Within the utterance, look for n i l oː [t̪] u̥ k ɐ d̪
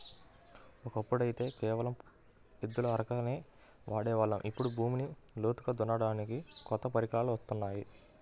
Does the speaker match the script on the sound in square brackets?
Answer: yes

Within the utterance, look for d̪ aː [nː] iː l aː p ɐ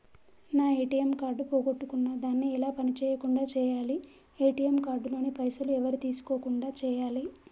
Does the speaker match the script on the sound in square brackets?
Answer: yes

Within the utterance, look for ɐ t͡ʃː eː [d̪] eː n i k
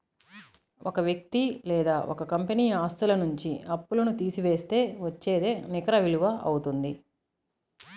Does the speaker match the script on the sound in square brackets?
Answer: yes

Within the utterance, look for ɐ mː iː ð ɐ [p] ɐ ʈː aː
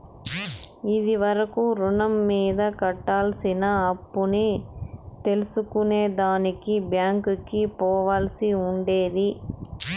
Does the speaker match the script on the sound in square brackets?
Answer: no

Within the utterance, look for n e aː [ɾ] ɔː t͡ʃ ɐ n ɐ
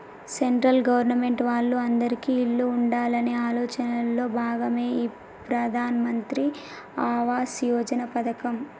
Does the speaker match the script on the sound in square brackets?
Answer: no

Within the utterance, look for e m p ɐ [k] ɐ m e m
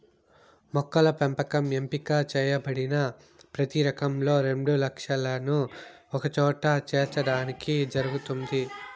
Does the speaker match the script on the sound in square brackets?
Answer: yes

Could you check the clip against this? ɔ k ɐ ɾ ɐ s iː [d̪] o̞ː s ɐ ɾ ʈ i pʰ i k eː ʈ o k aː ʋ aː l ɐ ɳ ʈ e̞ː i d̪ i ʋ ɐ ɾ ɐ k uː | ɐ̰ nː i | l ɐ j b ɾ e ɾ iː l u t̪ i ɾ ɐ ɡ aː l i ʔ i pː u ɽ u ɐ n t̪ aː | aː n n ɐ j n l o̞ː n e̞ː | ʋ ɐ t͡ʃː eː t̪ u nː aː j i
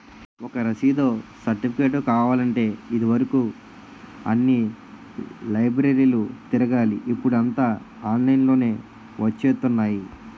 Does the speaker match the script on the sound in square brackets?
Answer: yes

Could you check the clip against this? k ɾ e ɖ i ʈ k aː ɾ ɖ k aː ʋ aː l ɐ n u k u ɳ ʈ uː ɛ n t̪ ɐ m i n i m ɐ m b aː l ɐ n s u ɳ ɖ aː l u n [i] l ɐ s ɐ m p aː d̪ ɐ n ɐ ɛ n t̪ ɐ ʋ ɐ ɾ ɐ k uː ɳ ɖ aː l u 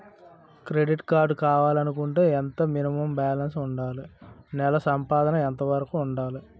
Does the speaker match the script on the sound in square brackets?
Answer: no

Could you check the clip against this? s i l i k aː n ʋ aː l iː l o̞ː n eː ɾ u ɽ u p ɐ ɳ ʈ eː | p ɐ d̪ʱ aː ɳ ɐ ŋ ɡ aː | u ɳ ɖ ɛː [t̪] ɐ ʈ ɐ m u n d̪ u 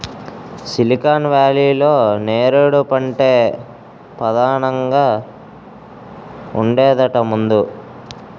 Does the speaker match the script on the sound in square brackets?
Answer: no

